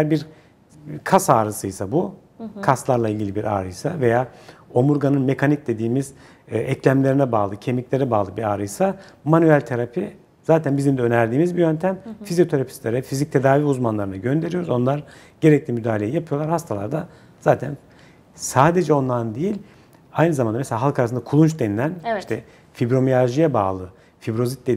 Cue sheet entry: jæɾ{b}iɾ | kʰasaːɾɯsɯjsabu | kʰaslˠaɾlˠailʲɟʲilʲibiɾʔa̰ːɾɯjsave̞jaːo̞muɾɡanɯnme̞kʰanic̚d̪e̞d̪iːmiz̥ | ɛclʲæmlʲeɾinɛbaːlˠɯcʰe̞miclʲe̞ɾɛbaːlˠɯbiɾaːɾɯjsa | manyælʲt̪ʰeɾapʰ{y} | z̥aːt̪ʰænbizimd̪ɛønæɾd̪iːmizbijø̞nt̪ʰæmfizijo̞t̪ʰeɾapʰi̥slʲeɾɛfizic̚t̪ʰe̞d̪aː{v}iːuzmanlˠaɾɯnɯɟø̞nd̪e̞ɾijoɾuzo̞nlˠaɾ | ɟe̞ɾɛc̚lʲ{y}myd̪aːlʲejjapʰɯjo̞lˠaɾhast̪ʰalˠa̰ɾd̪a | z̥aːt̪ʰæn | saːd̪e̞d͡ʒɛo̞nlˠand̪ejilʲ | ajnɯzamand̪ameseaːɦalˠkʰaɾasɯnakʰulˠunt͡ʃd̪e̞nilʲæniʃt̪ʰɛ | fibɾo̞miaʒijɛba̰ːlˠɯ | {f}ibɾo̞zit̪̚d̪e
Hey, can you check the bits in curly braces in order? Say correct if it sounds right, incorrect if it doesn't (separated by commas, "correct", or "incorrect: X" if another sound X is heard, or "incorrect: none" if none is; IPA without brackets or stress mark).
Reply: correct, incorrect: i, correct, incorrect: i, correct